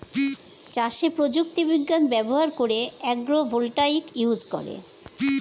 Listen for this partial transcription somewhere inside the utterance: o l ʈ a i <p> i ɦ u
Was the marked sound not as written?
yes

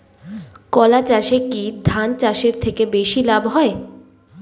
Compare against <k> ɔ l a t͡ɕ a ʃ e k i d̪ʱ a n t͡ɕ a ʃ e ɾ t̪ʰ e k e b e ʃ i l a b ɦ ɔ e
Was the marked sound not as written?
no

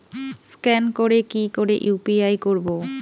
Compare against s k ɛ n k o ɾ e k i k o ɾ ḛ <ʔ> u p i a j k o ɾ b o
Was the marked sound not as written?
no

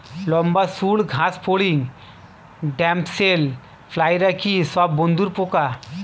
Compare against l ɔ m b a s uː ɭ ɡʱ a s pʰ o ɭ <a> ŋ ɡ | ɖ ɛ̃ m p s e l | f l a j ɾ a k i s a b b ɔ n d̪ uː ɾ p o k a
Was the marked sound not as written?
yes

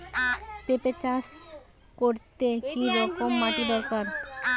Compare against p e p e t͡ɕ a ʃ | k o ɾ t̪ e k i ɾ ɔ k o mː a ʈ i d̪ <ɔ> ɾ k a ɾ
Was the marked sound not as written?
no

